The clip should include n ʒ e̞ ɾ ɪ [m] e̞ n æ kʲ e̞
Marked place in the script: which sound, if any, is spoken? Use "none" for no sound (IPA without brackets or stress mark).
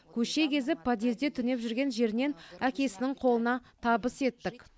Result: n